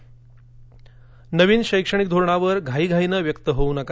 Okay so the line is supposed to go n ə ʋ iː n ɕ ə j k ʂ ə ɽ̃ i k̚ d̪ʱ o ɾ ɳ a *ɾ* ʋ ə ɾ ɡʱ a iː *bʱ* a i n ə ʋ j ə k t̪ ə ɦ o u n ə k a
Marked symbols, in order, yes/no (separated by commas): no, no